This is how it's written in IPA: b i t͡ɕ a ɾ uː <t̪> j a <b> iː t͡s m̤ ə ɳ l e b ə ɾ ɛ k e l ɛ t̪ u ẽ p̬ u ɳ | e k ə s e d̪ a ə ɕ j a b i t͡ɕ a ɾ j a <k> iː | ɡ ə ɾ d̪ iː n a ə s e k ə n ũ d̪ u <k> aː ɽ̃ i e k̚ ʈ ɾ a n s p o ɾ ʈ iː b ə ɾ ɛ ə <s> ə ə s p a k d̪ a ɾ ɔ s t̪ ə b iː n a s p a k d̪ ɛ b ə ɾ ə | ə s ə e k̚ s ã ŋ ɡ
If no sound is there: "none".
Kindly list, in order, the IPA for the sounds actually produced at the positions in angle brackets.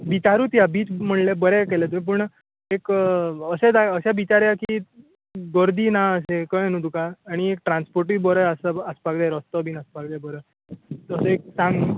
t̪, b, k, k, s

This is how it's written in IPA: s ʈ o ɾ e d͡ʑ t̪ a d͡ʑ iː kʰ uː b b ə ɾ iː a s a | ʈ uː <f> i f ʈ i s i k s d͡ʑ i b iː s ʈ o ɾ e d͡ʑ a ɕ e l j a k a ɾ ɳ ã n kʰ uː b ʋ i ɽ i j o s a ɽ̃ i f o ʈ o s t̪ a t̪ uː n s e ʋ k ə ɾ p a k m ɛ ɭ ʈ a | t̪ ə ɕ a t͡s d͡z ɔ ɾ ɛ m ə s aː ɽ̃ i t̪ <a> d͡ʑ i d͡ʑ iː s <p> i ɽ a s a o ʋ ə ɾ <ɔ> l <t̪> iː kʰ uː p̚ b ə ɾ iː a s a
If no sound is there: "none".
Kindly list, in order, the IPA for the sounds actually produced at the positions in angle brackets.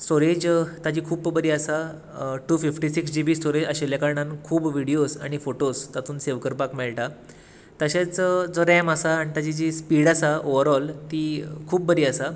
f, a, p, ɔ, t̪

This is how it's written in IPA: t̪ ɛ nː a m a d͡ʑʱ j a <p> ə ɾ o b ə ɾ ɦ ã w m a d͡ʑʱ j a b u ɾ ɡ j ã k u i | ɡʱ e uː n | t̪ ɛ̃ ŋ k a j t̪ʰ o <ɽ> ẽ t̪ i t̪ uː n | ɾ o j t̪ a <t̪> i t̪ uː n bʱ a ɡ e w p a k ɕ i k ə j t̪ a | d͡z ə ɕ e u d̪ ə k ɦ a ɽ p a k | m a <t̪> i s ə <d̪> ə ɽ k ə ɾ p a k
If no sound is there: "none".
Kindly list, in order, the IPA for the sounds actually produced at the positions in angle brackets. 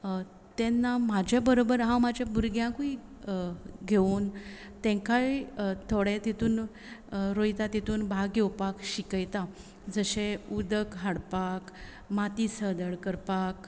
b, ɽ, t̪, t̪, d̪

